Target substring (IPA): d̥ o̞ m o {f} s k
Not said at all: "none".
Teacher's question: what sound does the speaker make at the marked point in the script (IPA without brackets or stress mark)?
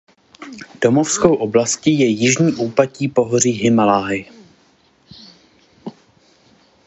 f